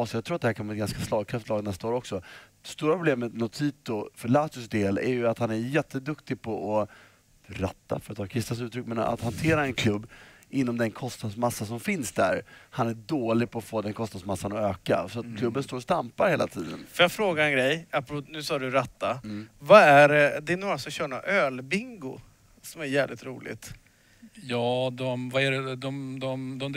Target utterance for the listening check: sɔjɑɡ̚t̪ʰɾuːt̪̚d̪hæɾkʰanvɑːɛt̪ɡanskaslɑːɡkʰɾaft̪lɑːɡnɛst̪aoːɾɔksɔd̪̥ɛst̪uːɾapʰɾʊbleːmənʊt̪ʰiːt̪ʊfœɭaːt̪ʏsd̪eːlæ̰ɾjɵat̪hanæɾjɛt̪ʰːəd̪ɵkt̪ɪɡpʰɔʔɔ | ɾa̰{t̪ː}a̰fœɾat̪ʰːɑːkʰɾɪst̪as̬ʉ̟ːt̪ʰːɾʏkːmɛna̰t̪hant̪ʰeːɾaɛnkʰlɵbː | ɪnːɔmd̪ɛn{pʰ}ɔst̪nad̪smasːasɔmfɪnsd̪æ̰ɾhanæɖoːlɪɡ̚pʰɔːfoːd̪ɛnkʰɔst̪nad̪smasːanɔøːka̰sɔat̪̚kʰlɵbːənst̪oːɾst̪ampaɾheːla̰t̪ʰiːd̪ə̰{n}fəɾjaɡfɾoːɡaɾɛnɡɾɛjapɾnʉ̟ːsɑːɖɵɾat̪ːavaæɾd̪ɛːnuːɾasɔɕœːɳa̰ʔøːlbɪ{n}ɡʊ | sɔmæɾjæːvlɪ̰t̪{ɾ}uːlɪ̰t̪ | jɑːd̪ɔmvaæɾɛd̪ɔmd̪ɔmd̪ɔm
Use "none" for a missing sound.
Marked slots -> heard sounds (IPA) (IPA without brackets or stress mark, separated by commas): t̪ː, kʰ, n, ŋ, ɾ